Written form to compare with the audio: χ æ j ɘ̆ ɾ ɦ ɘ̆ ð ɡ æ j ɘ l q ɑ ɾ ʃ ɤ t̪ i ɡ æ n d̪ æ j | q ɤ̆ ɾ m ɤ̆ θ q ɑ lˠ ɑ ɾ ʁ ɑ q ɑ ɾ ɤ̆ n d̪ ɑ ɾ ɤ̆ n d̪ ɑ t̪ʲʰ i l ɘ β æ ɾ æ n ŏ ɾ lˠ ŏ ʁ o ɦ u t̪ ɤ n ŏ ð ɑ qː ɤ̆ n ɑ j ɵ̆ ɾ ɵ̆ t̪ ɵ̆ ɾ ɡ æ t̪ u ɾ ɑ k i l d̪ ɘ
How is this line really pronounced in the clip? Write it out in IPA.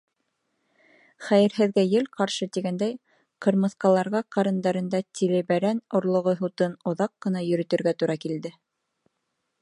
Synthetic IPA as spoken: χ æ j ɘ̆ ɾ ɦ ɘ̆ ð ɡ æ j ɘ l q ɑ ɾ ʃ ɤ t̪ i ɡ æ n d̪ æ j | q ɤ̆ ɾ m ɤ̆ θ q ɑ lˠ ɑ ɾ ʁ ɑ q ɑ ɾ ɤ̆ n d̪ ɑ ɾ ɤ̆ n d̪ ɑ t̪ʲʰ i l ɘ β æ ɾ æ n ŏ ɾ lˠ ŏ ʁ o ɦ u t̪ ɤ n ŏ ð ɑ qː ɤ̆ n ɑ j ɵ̆ ɾ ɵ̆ t̪ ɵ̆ ɾ ɡ æ t̪ u ɾ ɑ k i l d̪ ɘ